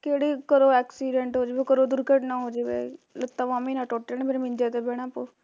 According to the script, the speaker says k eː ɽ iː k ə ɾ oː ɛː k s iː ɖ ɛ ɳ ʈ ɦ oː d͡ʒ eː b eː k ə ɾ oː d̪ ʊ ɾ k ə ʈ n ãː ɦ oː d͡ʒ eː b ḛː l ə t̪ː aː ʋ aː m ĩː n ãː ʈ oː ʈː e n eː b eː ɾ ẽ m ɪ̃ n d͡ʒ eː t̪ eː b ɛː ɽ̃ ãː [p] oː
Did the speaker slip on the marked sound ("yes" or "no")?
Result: no